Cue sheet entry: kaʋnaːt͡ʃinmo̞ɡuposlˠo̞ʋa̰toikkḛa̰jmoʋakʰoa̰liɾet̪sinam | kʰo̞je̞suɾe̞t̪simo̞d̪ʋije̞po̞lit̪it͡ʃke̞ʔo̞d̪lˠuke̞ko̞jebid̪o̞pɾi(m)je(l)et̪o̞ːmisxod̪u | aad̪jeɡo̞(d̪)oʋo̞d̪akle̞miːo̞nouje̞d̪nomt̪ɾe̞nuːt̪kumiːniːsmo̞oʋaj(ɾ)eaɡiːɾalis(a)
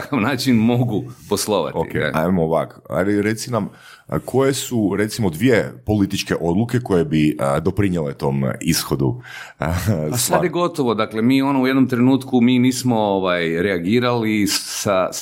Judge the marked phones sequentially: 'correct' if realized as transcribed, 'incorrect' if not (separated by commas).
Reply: incorrect, correct, incorrect, correct, correct